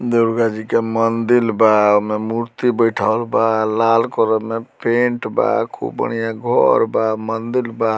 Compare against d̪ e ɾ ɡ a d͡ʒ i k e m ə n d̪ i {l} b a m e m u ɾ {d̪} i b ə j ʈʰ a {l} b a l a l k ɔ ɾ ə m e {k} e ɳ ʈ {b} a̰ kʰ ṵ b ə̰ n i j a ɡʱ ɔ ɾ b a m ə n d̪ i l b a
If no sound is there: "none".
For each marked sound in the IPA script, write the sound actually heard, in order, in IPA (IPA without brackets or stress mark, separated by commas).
l, t̪, l, p, b